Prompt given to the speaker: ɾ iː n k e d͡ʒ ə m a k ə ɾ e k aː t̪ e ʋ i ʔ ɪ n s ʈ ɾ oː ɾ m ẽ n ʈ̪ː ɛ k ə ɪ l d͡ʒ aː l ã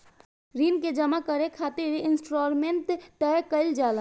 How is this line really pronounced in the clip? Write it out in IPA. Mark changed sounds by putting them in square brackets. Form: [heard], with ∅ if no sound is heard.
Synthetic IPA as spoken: ɾ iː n k e d͡ʒ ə m a k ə ɾ e [kʰ] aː t̪ e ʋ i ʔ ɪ n s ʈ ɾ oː ɾ m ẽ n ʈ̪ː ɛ k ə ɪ l d͡ʒ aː l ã